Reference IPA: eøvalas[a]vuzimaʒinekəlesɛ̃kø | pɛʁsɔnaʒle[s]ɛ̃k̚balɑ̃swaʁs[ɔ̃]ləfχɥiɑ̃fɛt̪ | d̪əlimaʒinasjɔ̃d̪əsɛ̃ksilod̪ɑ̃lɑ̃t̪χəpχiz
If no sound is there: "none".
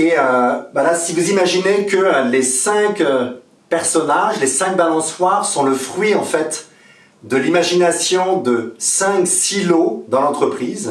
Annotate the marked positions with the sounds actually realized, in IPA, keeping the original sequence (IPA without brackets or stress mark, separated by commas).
i, s, ɔ̃